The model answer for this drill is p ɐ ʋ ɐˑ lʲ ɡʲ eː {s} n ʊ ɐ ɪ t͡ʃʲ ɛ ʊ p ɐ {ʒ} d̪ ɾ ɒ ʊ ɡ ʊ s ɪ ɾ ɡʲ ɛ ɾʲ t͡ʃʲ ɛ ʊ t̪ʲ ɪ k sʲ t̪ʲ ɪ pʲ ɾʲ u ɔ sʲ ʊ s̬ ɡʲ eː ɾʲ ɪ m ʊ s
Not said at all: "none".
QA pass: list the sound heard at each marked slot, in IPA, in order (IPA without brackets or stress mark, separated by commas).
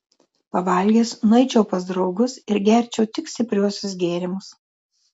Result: s, z